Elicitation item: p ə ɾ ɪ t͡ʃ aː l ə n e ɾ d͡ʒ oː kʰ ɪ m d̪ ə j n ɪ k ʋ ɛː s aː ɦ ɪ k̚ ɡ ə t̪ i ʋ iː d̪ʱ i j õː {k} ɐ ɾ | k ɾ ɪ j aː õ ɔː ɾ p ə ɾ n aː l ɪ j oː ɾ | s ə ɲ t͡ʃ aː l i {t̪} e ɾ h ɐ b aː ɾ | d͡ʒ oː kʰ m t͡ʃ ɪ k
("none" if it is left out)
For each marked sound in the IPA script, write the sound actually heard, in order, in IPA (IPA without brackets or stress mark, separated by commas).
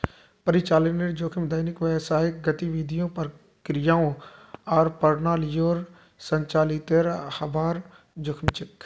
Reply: p, t̪